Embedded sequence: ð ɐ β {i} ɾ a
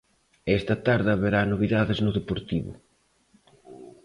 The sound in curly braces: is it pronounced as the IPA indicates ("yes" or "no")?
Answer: no